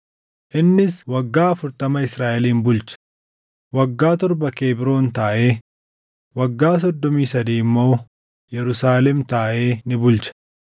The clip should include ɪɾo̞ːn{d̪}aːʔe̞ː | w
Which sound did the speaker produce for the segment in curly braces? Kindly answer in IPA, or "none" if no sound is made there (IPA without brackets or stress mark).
t̪